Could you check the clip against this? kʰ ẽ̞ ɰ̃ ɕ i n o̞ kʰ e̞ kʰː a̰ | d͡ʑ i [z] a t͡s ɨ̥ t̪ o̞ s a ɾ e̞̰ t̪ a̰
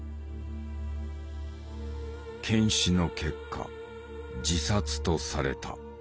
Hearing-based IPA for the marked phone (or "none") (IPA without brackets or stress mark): s